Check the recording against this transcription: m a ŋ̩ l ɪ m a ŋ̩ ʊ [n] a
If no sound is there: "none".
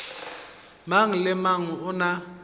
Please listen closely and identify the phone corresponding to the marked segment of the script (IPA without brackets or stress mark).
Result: n